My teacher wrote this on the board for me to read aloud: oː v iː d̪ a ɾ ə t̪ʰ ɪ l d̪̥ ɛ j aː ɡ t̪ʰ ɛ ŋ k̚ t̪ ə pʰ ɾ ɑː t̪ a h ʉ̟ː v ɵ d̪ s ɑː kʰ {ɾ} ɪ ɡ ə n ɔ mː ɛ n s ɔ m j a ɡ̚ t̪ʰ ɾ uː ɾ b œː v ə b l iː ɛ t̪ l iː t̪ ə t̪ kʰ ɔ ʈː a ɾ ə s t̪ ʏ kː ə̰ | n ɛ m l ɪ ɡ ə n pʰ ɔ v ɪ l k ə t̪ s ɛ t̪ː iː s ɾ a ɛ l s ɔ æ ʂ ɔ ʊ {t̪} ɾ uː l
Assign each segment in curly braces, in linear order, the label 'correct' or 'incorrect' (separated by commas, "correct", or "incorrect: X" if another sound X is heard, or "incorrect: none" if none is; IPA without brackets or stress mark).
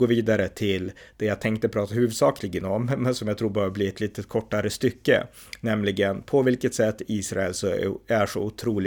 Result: incorrect: l, incorrect: t̪ʰ